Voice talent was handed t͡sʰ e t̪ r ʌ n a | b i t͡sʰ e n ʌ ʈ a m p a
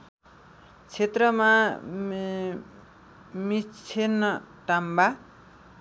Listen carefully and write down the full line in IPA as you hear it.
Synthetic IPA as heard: t͡sʰ e t̪ r ʌ m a | m i t͡sʰ e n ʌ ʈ a m b a